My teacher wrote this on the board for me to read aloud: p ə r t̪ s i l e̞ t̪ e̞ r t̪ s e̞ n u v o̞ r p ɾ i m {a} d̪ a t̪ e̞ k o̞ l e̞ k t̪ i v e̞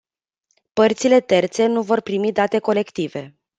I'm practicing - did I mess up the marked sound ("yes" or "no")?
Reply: yes